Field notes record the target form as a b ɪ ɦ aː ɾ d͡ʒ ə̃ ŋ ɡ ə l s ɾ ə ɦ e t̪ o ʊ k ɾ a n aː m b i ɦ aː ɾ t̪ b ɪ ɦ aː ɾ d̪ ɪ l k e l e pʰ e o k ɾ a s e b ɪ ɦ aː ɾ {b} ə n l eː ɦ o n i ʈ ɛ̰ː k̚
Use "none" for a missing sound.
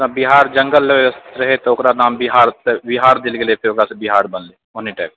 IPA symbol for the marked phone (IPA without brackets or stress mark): b